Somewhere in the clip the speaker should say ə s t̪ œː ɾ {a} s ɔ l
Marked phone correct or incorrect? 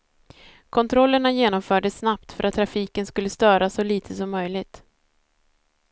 correct